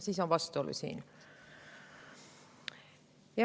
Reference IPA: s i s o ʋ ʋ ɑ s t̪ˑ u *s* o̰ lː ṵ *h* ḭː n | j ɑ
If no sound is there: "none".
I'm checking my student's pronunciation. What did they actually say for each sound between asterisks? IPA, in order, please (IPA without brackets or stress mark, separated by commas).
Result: none, s